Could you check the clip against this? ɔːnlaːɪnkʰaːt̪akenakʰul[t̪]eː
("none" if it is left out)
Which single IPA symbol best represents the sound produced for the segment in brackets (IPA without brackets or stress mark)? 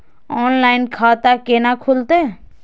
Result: t̪